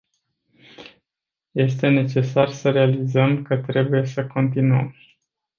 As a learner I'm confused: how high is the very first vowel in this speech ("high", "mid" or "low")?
mid